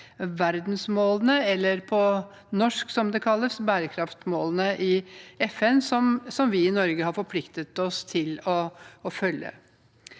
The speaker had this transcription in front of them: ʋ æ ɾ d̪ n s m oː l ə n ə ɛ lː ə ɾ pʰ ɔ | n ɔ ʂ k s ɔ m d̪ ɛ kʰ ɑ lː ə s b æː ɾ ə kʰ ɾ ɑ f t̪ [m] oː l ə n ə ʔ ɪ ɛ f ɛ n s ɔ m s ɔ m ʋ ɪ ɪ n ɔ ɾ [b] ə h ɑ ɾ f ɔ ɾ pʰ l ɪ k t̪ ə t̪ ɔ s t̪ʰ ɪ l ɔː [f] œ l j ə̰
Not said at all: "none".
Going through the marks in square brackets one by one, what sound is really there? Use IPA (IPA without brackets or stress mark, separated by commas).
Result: m, ɡ, f